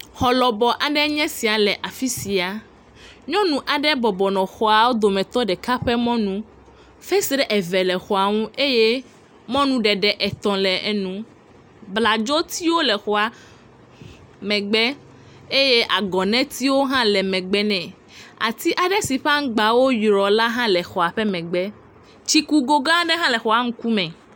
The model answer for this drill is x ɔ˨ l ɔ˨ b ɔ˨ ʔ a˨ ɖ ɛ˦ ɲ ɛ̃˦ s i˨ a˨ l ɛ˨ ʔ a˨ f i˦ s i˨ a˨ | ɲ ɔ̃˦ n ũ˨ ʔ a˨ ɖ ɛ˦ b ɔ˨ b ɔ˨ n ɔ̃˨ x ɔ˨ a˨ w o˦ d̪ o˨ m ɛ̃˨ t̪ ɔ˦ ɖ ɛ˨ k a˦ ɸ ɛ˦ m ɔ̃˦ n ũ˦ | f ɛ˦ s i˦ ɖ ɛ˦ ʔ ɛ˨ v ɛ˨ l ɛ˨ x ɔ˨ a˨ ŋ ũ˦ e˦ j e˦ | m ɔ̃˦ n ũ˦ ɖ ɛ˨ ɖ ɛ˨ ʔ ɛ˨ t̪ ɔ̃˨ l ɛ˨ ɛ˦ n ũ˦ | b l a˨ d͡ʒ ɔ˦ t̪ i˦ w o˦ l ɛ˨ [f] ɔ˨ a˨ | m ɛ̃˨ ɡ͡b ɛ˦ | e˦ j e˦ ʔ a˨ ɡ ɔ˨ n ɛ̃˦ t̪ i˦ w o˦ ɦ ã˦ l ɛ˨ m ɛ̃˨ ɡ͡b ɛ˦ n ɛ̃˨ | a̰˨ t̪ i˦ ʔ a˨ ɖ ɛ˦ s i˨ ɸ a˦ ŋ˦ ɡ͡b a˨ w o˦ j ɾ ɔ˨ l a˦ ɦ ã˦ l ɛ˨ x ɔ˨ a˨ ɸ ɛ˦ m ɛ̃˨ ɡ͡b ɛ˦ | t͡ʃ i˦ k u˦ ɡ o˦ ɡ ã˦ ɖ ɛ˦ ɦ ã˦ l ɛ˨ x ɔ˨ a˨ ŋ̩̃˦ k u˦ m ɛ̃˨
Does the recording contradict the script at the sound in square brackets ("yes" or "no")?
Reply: yes